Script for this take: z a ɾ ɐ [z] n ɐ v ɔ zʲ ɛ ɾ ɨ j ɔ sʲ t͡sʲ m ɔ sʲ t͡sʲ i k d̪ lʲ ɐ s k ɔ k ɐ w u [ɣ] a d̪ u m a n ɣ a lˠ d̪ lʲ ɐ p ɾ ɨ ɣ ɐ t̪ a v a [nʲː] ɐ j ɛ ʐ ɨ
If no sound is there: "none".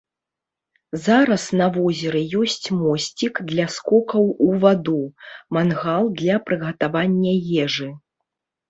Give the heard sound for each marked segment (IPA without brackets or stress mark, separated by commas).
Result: s, v, nʲː